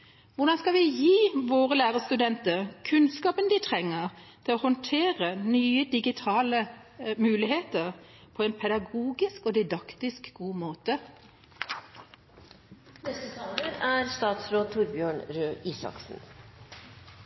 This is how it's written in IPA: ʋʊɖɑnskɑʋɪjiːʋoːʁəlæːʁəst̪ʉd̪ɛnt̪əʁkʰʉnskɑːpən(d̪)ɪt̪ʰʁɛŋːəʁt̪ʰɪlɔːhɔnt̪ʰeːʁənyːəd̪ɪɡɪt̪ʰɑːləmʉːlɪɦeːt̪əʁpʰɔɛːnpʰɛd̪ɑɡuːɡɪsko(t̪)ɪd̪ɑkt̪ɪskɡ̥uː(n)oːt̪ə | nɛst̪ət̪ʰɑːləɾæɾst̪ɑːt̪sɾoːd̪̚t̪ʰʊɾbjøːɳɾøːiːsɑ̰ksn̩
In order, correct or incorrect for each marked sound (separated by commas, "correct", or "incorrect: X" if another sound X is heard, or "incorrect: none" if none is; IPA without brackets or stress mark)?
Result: correct, incorrect: d̪, incorrect: m